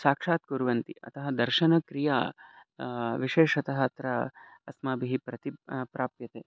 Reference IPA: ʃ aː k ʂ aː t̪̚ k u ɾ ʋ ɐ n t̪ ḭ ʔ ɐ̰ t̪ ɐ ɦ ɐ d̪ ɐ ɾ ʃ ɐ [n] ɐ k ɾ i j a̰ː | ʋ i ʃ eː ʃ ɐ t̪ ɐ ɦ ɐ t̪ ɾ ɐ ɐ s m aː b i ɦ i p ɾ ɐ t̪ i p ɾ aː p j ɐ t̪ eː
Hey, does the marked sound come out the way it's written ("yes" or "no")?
yes